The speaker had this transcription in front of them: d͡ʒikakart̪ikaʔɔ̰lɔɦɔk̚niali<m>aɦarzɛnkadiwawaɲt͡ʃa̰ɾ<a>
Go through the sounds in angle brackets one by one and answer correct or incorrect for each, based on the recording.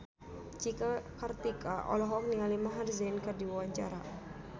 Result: correct, correct

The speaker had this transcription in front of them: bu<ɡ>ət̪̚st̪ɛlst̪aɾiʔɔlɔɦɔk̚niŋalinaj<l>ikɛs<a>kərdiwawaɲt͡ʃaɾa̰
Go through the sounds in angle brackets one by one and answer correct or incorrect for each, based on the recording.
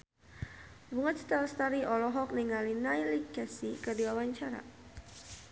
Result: incorrect, correct, incorrect

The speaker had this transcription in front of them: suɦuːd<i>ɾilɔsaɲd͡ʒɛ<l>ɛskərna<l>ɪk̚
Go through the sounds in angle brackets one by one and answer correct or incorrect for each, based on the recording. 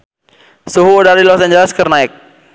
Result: incorrect, correct, incorrect

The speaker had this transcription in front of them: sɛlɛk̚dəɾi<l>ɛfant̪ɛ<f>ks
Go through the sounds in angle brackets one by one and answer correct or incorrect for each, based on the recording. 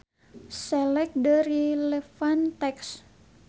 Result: correct, incorrect

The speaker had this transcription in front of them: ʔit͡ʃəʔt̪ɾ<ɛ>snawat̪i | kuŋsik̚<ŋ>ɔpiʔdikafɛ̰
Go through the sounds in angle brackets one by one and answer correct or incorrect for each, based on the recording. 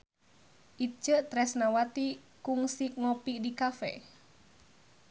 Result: correct, correct

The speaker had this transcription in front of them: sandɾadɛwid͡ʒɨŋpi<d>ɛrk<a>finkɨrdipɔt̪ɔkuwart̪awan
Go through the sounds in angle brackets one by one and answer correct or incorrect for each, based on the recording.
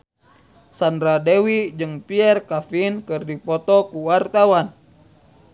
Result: incorrect, correct

